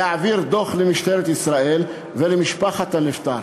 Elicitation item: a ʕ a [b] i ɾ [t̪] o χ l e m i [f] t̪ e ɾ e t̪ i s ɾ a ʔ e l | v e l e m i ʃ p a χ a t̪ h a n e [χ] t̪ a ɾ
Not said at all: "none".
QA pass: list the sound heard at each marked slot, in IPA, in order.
v, d̪, ʃ, f

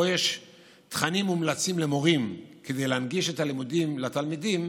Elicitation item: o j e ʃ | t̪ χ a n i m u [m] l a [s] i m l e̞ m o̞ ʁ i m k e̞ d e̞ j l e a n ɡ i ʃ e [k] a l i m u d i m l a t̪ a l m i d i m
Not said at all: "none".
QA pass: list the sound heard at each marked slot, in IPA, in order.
m, t͡s, t

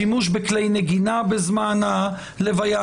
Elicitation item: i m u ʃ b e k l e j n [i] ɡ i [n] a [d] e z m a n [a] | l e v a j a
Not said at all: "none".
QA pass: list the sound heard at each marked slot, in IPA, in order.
e, n, b, a

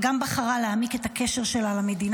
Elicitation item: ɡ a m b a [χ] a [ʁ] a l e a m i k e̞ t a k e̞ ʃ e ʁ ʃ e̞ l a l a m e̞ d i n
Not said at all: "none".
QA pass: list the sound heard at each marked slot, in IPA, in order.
χ, ʁ

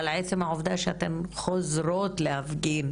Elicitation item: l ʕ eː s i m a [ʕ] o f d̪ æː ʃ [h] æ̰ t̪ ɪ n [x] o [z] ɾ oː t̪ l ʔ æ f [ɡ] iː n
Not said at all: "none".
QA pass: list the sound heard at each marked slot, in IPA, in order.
ʕ, h, x, z, ɡ

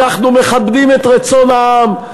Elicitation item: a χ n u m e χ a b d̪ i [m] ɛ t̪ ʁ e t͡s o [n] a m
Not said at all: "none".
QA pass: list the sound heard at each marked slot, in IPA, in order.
m, n

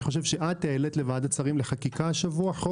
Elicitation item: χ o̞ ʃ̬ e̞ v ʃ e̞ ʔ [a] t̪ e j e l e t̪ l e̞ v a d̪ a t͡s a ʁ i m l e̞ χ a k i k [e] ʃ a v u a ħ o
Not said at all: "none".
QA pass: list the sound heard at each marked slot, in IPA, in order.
a, a

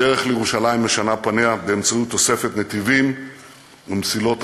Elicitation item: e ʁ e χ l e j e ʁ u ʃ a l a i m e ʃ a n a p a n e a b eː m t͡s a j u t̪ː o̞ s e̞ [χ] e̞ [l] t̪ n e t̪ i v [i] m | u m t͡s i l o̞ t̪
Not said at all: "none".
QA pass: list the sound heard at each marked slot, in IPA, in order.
f, none, i

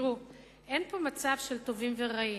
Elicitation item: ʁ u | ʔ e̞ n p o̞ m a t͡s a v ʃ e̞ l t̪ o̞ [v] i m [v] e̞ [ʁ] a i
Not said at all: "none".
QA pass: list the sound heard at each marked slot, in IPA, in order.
v, v, ʁ

